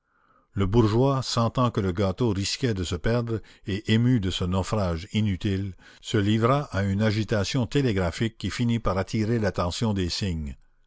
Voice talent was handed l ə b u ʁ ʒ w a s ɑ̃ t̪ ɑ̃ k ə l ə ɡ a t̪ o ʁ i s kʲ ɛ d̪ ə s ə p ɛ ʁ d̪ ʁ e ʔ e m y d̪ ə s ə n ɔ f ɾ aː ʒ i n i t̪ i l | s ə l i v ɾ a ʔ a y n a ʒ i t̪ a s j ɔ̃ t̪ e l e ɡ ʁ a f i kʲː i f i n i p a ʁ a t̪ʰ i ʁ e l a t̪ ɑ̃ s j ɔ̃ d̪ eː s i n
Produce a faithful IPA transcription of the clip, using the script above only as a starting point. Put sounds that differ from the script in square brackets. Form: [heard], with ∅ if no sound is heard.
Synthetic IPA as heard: l ə b u ʁ ʒ w a s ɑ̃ t̪ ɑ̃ k ə l ə ɡ a t̪ o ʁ i s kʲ ɛ d̪ ə s ə p ɛ ʁ d̪ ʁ e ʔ e m y d̪ ə s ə n ɔ f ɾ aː ʒ i n [y] t̪ i l | s ə l i v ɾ a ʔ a y n a ʒ i t̪ a s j ɔ̃ t̪ e l e ɡ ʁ a f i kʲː i f i n i p a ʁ a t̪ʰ i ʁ e l a t̪ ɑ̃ s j ɔ̃ d̪ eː s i [ɲ]